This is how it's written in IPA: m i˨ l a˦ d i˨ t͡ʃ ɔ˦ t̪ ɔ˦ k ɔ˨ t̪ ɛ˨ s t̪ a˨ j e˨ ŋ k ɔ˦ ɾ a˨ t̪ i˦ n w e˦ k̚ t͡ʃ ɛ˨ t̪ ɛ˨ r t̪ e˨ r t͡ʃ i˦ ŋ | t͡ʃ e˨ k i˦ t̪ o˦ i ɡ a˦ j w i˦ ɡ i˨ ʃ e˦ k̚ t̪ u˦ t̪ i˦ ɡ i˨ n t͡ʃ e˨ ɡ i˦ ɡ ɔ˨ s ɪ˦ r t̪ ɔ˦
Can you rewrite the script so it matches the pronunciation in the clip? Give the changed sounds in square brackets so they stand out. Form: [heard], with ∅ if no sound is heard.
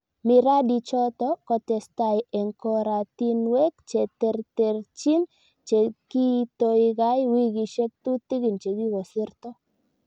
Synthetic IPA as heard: m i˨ [ɾ] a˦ d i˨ t͡ʃ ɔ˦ t̪ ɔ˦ k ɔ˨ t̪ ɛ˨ s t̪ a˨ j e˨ ŋ k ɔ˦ ɾ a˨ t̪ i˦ n w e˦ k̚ t͡ʃ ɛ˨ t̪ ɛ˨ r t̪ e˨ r t͡ʃ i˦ [n] | t͡ʃ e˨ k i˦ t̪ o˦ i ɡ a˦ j w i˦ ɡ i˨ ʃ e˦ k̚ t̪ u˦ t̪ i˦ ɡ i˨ n t͡ʃ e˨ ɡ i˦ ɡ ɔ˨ s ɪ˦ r t̪ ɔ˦